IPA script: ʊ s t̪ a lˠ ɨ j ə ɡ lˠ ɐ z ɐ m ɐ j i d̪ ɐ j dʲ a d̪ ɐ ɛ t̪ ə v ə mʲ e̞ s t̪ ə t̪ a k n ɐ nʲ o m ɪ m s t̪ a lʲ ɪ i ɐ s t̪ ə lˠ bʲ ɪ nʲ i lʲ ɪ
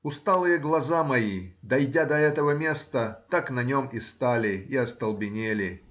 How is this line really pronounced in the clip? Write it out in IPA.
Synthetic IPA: ʊ s t̪ a lˠ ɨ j ə ɡ lˠ ɐ z a m ɐ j i d̪ ɐ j dʲ a d̪ ɐ ɛ t̪ ə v ə mʲ e̞ s t̪ ə t̪ a k n ɐ nʲ o m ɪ s t̪ a lʲ ɪ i ɐ s t̪ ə lˠ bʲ ɪ nʲ e lʲ ɪ